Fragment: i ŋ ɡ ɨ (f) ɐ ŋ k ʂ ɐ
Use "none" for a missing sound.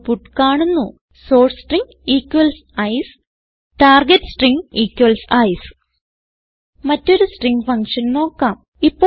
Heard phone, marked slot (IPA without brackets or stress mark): f